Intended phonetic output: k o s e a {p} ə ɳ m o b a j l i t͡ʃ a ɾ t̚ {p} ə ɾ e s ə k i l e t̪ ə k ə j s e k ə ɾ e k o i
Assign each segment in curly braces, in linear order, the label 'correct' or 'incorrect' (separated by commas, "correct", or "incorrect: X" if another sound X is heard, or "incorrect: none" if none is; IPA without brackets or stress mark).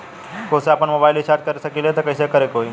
correct, incorrect: k